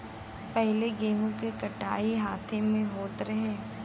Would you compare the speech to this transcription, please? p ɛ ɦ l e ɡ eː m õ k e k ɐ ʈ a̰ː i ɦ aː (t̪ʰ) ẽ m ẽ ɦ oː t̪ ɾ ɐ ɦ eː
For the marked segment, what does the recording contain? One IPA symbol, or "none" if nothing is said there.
t̪ʰ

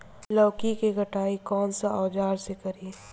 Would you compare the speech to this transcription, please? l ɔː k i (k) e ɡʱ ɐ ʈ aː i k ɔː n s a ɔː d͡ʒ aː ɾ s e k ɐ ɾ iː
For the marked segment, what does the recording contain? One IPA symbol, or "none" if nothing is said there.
k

